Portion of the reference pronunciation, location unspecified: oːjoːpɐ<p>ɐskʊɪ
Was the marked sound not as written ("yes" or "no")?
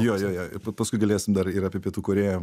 no